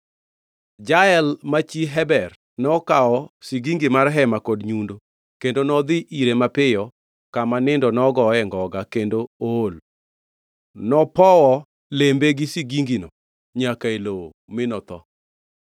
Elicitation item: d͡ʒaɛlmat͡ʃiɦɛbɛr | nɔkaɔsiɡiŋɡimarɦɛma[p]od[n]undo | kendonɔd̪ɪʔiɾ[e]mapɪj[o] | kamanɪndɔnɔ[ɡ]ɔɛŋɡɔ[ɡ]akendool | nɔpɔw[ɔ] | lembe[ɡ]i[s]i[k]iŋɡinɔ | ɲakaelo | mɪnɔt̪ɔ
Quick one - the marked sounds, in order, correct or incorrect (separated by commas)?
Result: incorrect, incorrect, correct, incorrect, correct, correct, correct, correct, correct, incorrect